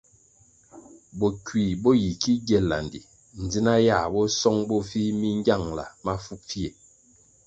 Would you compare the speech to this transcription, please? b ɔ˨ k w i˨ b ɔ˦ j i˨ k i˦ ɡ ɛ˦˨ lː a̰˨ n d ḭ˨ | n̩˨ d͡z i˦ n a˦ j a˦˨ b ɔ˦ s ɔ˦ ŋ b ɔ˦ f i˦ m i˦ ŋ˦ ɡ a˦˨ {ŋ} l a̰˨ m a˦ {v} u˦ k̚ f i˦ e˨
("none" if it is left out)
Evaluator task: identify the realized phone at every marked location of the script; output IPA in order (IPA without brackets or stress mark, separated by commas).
ŋ, f